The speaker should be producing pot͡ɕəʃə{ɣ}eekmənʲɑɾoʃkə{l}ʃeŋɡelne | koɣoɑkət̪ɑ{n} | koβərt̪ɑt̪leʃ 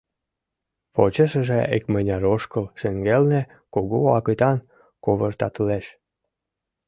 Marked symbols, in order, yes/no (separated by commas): no, yes, yes